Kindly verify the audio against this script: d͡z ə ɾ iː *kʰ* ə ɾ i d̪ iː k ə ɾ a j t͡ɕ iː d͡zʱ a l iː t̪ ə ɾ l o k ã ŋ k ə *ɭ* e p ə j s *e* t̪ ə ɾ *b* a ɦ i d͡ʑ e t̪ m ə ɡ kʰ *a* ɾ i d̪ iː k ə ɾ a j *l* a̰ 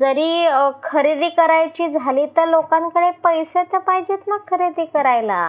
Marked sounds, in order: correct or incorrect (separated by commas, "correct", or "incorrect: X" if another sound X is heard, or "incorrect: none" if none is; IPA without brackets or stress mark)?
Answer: correct, incorrect: ɽ, correct, incorrect: p, incorrect: ə, correct